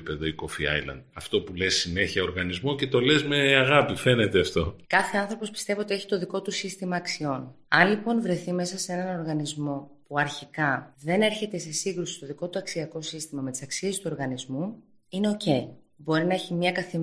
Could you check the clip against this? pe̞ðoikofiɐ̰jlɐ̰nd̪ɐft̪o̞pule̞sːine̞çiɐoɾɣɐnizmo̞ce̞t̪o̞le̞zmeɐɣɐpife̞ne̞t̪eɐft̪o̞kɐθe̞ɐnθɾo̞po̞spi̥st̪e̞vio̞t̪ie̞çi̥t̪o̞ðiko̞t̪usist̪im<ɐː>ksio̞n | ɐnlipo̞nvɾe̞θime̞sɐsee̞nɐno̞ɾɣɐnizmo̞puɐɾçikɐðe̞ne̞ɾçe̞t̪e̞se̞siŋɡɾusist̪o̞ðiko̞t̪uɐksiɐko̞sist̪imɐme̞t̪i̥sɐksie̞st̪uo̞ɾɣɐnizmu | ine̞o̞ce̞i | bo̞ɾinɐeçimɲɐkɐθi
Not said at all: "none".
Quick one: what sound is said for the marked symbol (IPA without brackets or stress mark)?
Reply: ɐː